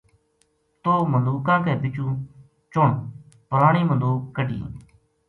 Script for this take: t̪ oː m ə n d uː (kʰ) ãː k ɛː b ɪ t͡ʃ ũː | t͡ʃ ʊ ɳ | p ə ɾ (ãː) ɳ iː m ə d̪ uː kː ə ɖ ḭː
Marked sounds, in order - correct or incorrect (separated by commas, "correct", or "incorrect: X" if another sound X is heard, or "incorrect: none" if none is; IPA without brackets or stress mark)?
incorrect: k, incorrect: aː